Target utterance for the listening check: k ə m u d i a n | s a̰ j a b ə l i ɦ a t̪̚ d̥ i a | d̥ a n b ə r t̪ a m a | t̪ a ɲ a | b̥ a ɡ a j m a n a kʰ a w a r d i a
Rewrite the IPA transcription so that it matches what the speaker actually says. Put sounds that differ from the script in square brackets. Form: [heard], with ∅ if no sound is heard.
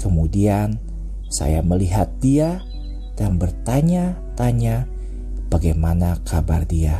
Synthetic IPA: k ə m u d i a n | s a̰ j a [m] ə l i ɦ a t̪̚ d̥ i a | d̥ a n b ə r t̪ a [ɲ] a | t̪ a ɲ a | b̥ a ɡ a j m a n a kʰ a [b] a r d i a